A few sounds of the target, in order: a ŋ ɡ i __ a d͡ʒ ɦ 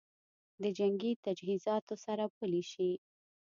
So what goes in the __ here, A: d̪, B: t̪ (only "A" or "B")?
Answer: B